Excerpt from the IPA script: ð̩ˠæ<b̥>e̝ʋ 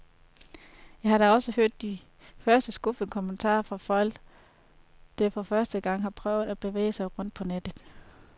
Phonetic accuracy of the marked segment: correct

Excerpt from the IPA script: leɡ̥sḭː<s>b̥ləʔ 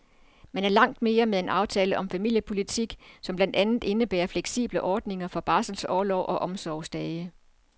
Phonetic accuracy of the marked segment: incorrect: none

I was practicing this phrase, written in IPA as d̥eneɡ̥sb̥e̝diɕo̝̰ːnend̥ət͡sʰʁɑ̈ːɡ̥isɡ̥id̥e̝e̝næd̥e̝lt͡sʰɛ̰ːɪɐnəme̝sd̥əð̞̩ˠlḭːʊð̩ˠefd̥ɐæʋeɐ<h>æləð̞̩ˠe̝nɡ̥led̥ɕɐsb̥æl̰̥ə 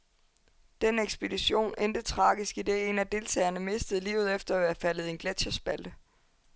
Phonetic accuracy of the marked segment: incorrect: f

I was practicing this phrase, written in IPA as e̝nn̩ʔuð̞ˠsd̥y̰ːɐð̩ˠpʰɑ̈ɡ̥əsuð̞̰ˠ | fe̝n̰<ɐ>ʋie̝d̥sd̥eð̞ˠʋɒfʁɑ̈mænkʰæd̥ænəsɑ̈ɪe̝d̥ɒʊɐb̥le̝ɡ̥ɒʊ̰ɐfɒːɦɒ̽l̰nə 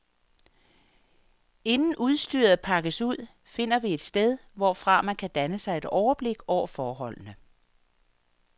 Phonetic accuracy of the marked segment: correct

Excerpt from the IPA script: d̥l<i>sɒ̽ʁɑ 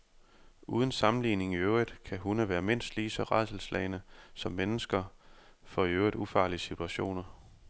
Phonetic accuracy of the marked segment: incorrect: iː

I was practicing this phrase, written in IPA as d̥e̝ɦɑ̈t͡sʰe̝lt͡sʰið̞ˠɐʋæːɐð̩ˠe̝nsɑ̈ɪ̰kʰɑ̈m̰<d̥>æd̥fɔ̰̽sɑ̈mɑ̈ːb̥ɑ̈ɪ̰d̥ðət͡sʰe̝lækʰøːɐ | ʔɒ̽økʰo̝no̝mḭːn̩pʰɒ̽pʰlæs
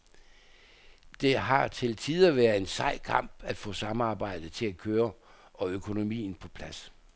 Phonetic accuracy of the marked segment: incorrect: b̥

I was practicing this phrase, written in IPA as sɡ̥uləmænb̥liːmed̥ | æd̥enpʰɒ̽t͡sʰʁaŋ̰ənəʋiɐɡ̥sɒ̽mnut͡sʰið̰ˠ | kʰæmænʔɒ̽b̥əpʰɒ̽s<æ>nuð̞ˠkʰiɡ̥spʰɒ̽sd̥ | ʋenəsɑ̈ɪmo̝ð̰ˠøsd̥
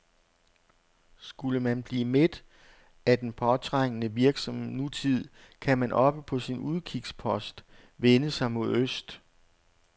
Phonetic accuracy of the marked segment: incorrect: i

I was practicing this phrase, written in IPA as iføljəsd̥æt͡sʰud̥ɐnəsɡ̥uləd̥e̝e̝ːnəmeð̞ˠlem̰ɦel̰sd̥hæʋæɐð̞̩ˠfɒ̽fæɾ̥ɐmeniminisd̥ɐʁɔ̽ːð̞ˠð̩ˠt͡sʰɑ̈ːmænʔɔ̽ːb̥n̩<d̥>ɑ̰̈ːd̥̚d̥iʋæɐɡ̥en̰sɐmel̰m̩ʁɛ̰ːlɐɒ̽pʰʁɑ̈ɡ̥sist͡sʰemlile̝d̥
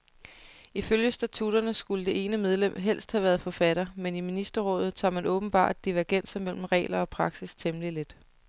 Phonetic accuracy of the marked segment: incorrect: b̥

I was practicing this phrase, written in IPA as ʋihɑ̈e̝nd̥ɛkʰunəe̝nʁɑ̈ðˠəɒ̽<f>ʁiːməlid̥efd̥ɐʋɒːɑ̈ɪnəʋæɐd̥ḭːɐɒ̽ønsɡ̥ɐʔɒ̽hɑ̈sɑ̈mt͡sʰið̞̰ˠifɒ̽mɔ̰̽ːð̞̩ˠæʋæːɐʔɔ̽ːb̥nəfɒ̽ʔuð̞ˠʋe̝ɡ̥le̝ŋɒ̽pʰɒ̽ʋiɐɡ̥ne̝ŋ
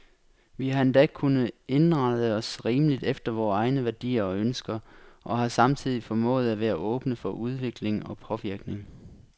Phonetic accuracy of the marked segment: incorrect: s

